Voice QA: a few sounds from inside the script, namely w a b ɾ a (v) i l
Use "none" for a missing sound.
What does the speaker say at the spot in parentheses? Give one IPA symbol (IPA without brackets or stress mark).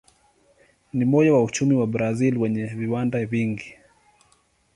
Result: z